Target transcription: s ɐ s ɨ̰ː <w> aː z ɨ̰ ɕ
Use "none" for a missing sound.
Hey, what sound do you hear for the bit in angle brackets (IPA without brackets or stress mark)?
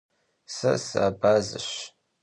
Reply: b